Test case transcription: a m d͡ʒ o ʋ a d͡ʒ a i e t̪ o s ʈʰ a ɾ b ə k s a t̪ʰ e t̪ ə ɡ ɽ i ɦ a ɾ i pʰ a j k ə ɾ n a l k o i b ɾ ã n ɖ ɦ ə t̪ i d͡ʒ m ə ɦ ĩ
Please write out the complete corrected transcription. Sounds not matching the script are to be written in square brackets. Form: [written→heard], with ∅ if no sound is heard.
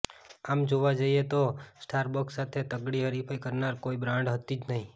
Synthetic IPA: a m d͡ʒ o ʋ a d͡ʒ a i e t̪ o s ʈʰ a ɾ b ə k s a t̪ʰ e t̪ ə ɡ ɽ i ɦ [a→ə] ɾ i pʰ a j k ə ɾ n a [l→ɾ] k o i b ɾ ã [n→ɳ] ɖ ɦ ə t̪ i d͡ʒ [m→n] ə ɦ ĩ

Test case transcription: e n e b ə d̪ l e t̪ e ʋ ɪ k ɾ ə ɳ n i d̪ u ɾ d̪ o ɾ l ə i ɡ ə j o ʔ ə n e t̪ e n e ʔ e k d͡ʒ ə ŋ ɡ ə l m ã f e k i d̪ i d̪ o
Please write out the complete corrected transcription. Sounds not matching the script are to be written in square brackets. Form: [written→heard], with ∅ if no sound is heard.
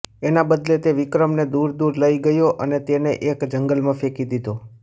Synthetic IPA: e n [e→a] b ə d̪ l e t̪ e ʋ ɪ k ɾ ə [ɳ→m] n [i→e] d̪ u ɾ d̪ [o→u] ɾ l ə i ɡ ə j o ʔ ə n e t̪ e n e ʔ e k d͡ʒ ə ŋ ɡ ə l m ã f e k i d̪ i d̪ o

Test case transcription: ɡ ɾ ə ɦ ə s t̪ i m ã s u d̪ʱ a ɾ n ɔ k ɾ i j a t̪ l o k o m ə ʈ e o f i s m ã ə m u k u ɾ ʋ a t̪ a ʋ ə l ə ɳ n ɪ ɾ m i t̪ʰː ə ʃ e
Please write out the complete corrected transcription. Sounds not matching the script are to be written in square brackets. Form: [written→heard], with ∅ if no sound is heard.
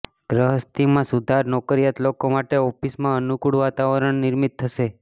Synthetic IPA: ɡ ɾ ə ɦ ə s t̪ i m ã s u d̪ʱ a ɾ n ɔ k ɾ i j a t̪ l o k o m [ə→a] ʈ e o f i s m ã ə [m→n] u k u [ɾ→ɽ] ʋ a t̪ a ʋ ə [l→ɾ] ə ɳ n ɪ ɾ m i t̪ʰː ə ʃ e

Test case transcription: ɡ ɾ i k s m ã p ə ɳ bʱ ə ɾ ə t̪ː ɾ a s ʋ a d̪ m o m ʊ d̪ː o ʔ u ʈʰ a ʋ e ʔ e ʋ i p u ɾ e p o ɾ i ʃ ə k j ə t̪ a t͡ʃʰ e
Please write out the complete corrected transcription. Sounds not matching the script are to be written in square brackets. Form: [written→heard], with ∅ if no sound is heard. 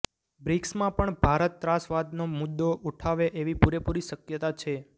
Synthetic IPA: [ɡ→b] ɾ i k s m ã p ə ɳ bʱ [ə→a] ɾ ə t̪ː ɾ a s ʋ a d̪ [m→n] o m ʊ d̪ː o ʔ u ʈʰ a ʋ e ʔ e ʋ i p u ɾ e p [o→u] ɾ i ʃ ə k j ə t̪ a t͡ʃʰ e

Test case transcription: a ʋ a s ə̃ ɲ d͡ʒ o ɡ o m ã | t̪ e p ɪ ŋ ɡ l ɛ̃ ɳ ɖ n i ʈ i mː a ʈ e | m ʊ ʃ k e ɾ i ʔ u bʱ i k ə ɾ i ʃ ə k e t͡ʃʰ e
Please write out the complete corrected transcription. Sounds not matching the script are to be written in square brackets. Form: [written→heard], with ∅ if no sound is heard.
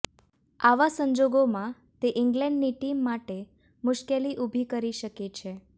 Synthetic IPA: a ʋ a s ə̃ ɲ d͡ʒ o ɡ o m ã | t̪ e [p→ʔ] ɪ ŋ ɡ l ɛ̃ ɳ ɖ n i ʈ i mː a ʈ e | m ʊ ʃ k e [ɾ→l] i ʔ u bʱ i k ə ɾ i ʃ ə k e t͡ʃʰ e

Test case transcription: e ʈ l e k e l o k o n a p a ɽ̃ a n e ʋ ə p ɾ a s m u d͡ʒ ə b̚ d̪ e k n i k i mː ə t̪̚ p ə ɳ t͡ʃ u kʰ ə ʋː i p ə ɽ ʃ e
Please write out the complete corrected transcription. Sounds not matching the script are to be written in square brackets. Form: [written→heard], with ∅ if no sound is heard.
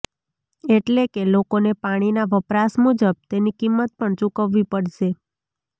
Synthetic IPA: e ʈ l e k e l o k o n [a→e] p a ɽ̃ [a→i] n [e→a] ʋ ə p ɾ a s m u d͡ʒ ə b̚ [d̪→t̪] e [k→∅] n i k i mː ə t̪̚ p ə ɳ t͡ʃ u [kʰ→k] ə ʋː i p ə ɽ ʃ e

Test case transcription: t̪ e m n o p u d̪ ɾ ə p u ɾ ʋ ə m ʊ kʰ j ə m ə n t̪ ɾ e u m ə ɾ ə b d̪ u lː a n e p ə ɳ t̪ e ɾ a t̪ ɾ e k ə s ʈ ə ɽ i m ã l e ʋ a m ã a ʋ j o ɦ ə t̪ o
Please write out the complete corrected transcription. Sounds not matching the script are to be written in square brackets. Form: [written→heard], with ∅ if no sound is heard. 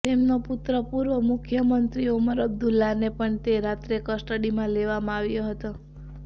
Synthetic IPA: t̪ e m n o p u [d̪→t̪] ɾ ə p u ɾ ʋ ə m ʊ kʰ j ə m ə n t̪ ɾ [e→i] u m ə ɾ ə b d̪ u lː a n e p ə ɳ t̪ e ɾ a t̪ ɾ e k ə s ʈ ə ɽ i m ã l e ʋ a m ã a ʋ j o ɦ ə t̪ o

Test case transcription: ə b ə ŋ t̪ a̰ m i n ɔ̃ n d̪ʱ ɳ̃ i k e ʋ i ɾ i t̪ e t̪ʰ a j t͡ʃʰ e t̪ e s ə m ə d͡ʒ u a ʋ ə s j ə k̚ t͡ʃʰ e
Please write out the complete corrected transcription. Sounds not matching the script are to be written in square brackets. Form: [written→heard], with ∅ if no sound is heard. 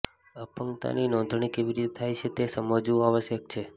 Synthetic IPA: ə [b→p] ə ŋ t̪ a̰ [m→n] i n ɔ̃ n d̪ʱ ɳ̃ i k e ʋ i ɾ i t̪ e t̪ʰ a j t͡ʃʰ e t̪ e s ə m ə d͡ʒ u a ʋ ə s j ə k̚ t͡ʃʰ e

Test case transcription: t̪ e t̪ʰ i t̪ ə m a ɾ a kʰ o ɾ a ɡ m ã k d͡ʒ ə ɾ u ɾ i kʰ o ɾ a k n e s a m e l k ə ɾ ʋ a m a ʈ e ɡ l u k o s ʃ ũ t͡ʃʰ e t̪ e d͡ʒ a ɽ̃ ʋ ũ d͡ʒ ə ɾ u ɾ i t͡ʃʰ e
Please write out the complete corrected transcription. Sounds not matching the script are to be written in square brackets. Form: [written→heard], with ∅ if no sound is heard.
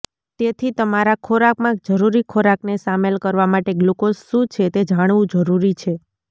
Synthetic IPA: t̪ e t̪ʰ i t̪ ə m a ɾ a kʰ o ɾ a [ɡ→k] m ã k d͡ʒ ə ɾ u ɾ i kʰ o ɾ a k n e s a m e l k ə ɾ ʋ a m a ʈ e ɡ l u k o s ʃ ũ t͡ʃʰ e t̪ e d͡ʒ a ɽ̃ ʋ ũ d͡ʒ ə ɾ u ɾ i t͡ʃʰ e

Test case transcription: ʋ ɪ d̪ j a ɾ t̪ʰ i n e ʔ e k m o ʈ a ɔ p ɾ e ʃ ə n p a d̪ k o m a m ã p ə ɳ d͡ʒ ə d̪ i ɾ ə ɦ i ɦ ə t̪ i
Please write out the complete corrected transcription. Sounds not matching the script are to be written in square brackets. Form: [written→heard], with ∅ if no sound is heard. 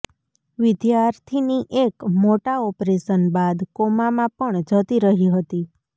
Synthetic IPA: ʋ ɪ d̪ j a ɾ t̪ʰ i n [e→i] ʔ e k m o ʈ a ɔ p ɾ e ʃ ə n [p→b] a d̪ k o m a m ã p ə ɳ d͡ʒ ə [d̪→t̪] i ɾ ə ɦ i ɦ ə t̪ i

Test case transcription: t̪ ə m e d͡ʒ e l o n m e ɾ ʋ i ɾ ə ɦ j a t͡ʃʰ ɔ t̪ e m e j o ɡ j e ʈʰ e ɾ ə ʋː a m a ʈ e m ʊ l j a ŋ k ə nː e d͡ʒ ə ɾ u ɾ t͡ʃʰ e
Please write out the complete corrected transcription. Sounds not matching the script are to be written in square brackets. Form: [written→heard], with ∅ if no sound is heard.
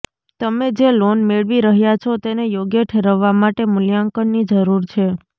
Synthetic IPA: t̪ ə m e d͡ʒ e l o n m e [ɾ→ɭ] ʋ i ɾ ə ɦ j a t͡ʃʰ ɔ t̪ e [m→n] e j o ɡ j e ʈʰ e ɾ ə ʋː a m a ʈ e m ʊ l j a ŋ k ə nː [e→i] d͡ʒ ə ɾ u ɾ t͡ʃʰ e

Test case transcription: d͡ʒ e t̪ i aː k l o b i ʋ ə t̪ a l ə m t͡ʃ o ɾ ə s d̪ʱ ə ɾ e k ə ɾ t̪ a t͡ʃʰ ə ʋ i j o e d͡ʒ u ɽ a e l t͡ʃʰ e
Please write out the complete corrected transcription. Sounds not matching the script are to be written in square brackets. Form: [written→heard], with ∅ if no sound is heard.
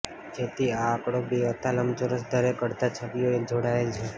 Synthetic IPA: d͡ʒ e t̪ i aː k [l→ɽ] o b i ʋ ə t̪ a l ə m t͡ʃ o ɾ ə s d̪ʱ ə ɾ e k ə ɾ t̪ a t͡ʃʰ ə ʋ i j o e d͡ʒ [u→o] ɽ a e l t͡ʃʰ e

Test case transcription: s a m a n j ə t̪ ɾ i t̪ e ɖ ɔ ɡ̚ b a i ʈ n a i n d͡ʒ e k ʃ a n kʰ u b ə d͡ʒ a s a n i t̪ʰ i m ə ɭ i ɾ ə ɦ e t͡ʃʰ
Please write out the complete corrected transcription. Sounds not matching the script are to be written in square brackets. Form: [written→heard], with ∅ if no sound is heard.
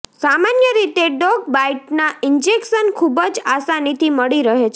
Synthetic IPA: s a m a n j ə [t̪→∅] ɾ i t̪ e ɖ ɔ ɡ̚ b a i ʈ n a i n d͡ʒ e k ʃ [a→ə] n kʰ u b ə d͡ʒ a s a n i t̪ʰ i m ə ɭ i ɾ ə ɦ e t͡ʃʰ

